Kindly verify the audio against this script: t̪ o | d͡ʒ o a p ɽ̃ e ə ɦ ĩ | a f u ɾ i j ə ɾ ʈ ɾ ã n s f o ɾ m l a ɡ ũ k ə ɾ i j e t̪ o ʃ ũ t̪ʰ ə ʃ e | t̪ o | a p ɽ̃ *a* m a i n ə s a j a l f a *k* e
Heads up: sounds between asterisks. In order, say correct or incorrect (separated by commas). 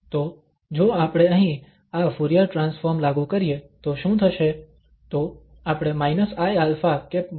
incorrect, correct